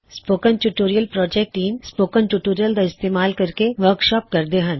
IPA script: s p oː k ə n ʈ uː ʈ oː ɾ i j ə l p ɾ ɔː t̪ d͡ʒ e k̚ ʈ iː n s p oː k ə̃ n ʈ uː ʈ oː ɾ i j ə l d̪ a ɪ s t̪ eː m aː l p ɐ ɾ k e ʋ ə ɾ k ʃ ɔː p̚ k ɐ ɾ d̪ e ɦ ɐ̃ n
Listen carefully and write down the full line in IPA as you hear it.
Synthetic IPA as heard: s p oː k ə n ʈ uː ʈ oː ɾ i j ə l p ɾ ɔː d͡ʒ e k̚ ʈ iː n s p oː k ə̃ n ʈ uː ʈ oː ɾ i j ə l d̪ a ɪ s t̪ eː m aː l k ɐ ɾ k e ʋ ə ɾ k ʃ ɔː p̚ k ɐ ɾ d̪ e ɦ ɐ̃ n